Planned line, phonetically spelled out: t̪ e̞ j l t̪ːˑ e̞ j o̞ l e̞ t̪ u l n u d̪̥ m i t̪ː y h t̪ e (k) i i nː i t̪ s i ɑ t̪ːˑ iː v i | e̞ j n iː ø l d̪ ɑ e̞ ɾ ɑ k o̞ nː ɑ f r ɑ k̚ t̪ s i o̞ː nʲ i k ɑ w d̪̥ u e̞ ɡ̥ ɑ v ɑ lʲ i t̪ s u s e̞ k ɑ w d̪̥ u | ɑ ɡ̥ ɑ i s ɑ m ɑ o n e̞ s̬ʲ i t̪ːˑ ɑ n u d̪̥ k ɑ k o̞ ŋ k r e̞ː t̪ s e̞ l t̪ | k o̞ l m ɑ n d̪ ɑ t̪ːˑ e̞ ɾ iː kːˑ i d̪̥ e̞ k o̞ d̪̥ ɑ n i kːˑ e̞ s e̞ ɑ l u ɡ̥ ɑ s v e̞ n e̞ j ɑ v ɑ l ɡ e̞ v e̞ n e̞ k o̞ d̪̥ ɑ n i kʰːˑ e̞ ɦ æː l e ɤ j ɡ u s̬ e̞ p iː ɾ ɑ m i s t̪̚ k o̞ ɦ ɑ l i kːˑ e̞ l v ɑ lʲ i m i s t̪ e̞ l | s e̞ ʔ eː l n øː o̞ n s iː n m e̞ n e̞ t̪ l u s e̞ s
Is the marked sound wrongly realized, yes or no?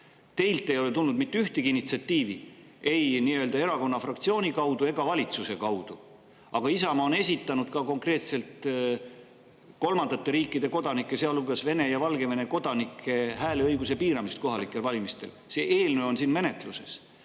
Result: yes